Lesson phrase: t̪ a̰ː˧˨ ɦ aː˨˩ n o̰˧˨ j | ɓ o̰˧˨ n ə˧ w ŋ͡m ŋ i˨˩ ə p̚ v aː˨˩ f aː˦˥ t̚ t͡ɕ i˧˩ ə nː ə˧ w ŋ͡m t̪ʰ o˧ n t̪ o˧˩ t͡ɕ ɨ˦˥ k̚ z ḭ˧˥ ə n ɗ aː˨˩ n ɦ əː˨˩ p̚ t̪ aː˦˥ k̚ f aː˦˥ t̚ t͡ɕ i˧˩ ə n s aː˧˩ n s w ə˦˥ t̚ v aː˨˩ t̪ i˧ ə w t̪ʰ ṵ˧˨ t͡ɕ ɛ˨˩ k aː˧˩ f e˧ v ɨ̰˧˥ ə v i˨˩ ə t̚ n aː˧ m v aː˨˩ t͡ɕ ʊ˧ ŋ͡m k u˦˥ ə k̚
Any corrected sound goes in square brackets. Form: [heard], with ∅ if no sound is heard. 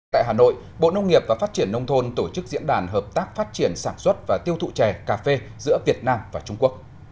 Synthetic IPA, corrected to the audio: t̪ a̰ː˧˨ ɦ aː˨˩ n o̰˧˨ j | ɓ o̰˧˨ n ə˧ w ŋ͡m ŋ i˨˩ ə p̚ v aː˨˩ f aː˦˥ t̚ t͡ɕ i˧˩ ə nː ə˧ w ŋ͡m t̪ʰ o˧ n t̪ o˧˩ t͡ɕ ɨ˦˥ k̚ z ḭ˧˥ ə n ɗ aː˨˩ n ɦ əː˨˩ p̚ t̪ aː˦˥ k̚ f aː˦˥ t̚ t͡ɕ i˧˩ ə n s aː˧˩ n s w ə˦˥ t̚ v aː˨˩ t̪ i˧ ə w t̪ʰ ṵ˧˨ t͡ɕ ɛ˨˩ k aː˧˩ f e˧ [z] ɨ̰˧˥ ə v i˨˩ ə t̚ n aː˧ m v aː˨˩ t͡ɕ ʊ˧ ŋ͡m k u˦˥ ə k̚